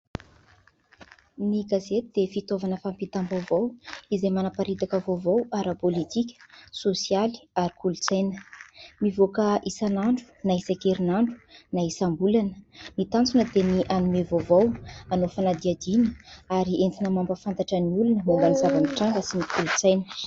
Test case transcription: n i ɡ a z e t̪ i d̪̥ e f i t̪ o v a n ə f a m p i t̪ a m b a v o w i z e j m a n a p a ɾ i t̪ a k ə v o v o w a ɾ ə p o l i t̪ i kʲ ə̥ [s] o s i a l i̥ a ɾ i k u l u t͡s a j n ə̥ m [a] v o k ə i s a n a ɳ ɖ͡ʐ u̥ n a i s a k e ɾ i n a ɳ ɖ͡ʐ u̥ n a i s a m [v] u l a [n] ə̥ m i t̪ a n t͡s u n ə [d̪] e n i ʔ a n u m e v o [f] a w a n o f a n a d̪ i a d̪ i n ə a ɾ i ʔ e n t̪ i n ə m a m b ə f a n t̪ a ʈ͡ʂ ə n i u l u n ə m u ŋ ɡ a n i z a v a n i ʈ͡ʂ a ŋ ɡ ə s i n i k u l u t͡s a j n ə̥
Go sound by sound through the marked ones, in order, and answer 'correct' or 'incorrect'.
correct, incorrect: i, incorrect: b, correct, correct, incorrect: v

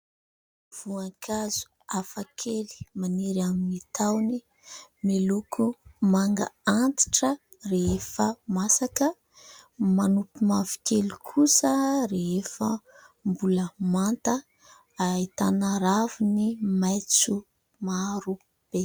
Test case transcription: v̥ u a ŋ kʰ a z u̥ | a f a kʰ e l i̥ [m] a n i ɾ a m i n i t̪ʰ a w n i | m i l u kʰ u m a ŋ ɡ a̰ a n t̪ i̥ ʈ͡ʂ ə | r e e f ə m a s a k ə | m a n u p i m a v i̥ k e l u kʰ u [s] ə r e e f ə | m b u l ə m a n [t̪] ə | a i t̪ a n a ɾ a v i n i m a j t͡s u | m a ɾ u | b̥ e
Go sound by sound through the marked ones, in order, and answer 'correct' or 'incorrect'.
correct, correct, correct

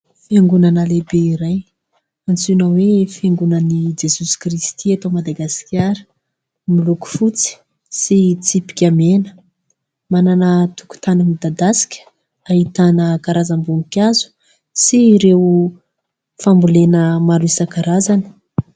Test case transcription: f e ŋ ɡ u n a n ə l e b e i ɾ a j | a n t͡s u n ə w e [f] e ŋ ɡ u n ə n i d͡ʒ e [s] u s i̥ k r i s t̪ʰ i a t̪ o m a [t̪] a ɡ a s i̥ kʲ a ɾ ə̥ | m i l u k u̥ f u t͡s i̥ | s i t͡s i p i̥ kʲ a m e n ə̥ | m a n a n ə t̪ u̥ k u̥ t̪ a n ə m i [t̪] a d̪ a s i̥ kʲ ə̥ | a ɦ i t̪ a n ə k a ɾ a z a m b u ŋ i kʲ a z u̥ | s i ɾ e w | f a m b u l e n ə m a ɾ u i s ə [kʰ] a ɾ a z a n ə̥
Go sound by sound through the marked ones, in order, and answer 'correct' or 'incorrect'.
correct, correct, incorrect: d̪, incorrect: d̪, incorrect: k

